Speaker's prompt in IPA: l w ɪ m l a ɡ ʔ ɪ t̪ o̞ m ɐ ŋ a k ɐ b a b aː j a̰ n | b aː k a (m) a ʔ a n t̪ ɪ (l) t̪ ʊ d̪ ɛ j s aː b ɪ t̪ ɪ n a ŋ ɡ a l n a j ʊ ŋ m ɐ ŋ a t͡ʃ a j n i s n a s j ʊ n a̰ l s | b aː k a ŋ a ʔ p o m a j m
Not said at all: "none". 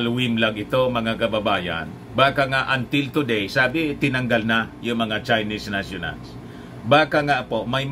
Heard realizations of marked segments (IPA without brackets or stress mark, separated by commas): ŋ, l